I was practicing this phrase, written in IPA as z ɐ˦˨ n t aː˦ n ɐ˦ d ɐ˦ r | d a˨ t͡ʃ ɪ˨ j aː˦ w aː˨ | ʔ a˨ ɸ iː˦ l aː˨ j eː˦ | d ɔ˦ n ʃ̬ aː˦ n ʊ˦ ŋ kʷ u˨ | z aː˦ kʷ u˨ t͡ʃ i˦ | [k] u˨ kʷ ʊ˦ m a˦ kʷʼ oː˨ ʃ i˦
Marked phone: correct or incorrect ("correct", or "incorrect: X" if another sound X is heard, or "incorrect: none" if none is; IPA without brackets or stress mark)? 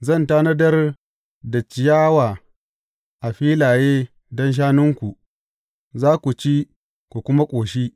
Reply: correct